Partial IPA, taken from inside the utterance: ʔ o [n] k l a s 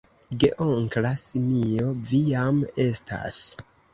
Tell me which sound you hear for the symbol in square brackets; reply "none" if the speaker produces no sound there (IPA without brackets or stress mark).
ŋ